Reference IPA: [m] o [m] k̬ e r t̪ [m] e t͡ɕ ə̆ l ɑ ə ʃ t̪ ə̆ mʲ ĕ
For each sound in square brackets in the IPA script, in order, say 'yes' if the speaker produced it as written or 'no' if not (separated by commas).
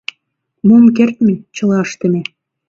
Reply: yes, yes, yes